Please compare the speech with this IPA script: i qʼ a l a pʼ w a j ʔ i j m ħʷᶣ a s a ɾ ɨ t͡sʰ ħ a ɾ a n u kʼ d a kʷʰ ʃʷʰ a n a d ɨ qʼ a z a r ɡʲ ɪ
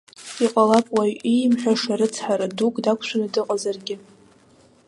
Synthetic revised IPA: i qʼ a l a pʼ w a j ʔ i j m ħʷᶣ a ʂ a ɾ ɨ t͡sʰ ħ a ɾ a d u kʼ d a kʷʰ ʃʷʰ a n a d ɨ qʼ a z a r ɡʲ ɪ